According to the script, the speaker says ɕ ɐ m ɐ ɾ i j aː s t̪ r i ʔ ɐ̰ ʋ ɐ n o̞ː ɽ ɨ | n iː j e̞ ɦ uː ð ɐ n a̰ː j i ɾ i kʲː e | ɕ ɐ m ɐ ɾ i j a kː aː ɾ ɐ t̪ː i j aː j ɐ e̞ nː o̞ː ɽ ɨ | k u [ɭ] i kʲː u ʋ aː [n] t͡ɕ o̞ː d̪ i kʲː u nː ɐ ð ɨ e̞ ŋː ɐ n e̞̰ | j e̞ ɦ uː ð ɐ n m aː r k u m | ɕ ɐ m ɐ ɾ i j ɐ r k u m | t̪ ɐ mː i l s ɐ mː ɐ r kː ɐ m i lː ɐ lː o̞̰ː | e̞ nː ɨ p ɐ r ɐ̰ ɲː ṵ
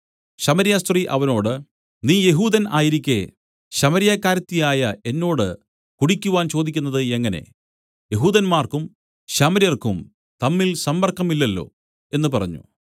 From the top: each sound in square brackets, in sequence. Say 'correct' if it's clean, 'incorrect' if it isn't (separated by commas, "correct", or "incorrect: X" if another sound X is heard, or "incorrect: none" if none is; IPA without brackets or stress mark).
incorrect: ɽ, correct